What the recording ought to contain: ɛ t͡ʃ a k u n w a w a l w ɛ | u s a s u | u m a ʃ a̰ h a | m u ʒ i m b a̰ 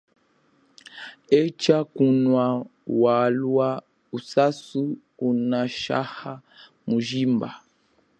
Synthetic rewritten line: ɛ t͡ʃ a k u n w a w a l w a | u s a s u | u n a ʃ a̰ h a | m u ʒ i m b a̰

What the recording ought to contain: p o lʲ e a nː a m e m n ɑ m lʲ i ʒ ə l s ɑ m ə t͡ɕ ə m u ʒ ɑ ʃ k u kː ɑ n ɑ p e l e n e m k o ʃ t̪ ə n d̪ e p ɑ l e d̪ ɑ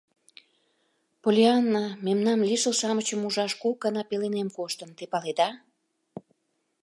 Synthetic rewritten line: p o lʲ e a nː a m e m n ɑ m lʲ i ʃ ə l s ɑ m ə t͡ɕ ə m u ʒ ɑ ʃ k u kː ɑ n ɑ p e l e n e m k o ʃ t̪ ə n t̪ e p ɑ l e d̪ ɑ

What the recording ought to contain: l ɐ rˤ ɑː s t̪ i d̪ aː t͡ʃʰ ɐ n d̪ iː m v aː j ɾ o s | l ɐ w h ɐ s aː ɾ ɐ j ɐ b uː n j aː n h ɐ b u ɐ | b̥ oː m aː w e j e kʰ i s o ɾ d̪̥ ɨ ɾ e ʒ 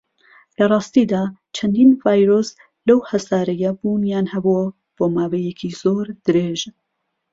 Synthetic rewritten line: l ɐ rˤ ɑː s t̪ i d̪ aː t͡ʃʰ ɐ n d̪ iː n v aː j ɾ o s | l ɐ w h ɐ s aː ɾ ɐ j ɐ b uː n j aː n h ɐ b u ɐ | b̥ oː m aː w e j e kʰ i z o ɾ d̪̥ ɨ ɾ e ʒ

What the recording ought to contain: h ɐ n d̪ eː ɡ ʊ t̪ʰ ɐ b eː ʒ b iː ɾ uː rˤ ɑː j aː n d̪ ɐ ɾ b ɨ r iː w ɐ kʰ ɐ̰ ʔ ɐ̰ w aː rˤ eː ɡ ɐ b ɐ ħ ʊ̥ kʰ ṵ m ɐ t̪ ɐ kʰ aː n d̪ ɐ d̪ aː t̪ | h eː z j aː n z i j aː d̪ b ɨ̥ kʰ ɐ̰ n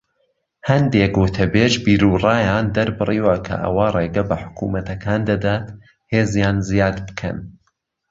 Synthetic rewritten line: h ɐ n d̪ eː ɡ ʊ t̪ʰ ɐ b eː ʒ b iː ɾ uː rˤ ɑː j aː n d̪ ɐ ɾ b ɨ r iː w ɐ kʰ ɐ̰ ʔ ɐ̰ w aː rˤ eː ɡ ɐ b ɐ ħ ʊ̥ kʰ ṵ m ɐ t̪ ɐ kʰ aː n d̪ ɐ d̪ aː t̪ | h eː z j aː n z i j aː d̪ b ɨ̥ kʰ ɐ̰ n

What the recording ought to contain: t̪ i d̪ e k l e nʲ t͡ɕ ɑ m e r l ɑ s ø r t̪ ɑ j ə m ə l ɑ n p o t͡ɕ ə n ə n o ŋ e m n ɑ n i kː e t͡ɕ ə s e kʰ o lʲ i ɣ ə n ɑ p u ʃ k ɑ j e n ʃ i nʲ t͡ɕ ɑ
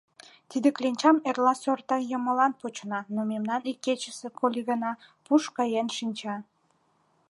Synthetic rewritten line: t̪ i d̪ e k l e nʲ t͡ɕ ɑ m e r l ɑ s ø r t̪ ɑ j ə m ə l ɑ n p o t͡ɕ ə n ɑ n o m e m n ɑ n i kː e t͡ɕ ə s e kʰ o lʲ i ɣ ə n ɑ p u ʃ k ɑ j e n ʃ i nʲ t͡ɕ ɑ

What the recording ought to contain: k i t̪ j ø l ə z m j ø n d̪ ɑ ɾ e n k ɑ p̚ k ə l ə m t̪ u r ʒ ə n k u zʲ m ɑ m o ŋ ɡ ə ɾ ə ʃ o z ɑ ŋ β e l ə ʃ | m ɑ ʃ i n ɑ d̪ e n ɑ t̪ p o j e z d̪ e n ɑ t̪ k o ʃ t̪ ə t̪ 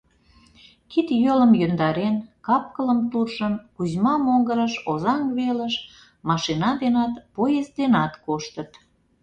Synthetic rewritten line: k i t̪ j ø l ə m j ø n d̪ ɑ ɾ e n k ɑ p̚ k ə l ə m t̪ u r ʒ ə n k u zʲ m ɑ m o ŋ ɡ ə ɾ ə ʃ o z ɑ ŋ β e l ə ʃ | m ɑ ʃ i n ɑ d̪ e n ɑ t̪ p o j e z d̪ e n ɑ t̪ k o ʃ t̪ ə t̪

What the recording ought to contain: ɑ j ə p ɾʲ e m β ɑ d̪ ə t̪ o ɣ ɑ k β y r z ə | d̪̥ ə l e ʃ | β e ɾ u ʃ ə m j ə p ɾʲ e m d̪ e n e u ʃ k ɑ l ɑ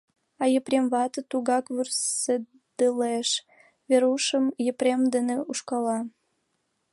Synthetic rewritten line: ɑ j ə p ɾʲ e m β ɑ t̪ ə t̪ u ɣ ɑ k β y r s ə | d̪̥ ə l e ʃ | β e ɾ u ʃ ə m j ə p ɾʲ e m d̪ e n e u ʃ k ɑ l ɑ

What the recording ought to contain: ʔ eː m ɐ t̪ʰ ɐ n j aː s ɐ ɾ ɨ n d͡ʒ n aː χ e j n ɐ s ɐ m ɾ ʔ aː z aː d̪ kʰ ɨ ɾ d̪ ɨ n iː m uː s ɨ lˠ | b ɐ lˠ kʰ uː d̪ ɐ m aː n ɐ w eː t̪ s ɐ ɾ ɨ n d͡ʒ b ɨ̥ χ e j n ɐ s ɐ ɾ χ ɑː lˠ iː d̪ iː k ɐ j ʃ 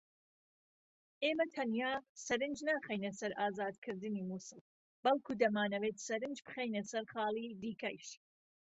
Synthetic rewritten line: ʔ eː m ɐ t̪ʰ ɐ n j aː s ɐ ɾ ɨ n d͡ʒ n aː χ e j n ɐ s ɐ ɾ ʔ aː z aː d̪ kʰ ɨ ɾ d̪ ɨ n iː m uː s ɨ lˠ | b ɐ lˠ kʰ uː d̪ ɐ m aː n ɐ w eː t̪ s ɐ ɾ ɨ n d͡ʒ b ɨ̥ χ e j n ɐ s ɐ ɾ χ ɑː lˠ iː d̪ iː k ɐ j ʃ

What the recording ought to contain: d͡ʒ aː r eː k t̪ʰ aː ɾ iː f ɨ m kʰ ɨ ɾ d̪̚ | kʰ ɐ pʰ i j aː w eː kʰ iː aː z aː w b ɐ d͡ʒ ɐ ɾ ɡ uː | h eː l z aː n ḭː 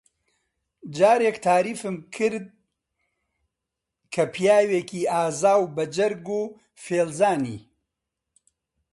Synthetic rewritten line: d͡ʒ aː ɾ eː k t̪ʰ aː ɾ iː f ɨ m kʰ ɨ ɾ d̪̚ | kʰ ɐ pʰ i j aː w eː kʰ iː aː z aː w b ɐ d͡ʒ ɐ ɾ ɡ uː | f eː l z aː n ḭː

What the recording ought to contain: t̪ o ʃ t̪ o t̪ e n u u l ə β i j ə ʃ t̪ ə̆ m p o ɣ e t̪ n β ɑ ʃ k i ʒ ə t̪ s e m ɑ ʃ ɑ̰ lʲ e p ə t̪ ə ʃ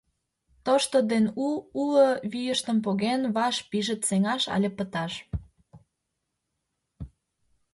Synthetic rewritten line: t̪ o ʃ t̪ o d̪ e n u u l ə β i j ə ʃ t̪ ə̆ m p o ɣ e n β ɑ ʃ p i ʒ ə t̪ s e ŋ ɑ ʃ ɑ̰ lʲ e p ə t̪ ɑ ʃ

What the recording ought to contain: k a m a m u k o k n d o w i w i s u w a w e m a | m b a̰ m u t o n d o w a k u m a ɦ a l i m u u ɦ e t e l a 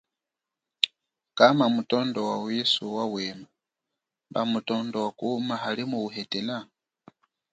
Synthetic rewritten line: k a m a m u t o n d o w a w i s u w a w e m a | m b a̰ m u t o n d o w a k u m a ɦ a l i m u u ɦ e t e l a

